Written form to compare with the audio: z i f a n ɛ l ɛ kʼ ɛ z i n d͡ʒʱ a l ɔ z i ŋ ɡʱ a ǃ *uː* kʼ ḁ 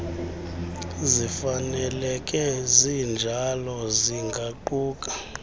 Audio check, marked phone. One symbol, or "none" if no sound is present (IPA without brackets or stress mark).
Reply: uː